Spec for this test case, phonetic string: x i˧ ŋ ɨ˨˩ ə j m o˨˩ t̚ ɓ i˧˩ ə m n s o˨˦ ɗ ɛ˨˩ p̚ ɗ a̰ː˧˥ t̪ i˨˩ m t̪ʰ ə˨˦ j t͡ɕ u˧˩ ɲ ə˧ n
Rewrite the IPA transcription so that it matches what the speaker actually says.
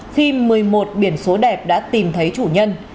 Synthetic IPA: x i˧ m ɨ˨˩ ə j m o˨˩ t̚ ɓ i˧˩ ə n s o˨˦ ɗ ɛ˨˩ p̚ ɗ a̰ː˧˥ t̪ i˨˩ m t̪ʰ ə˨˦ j t͡ɕ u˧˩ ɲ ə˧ n